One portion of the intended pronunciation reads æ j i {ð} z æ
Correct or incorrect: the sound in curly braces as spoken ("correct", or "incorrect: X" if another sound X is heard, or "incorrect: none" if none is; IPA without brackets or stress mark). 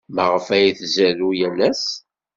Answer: incorrect: θ